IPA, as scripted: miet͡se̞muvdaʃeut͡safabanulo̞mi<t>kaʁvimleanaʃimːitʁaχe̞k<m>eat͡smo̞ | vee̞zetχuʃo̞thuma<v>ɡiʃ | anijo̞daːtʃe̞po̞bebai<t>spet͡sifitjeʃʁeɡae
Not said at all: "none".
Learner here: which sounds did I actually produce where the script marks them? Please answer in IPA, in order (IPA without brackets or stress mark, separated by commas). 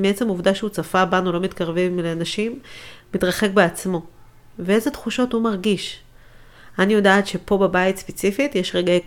t, b, ʁ, t